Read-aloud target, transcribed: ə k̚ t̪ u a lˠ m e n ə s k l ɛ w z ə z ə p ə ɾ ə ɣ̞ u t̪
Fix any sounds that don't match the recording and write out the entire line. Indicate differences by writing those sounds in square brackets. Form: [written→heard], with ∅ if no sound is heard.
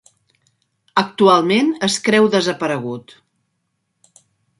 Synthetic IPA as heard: ə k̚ t̪ u a lˠ m e n ə s k [l→ɾ] ɛ w [z→ð] ə z ə p ə ɾ ə ɣ̞ u t̪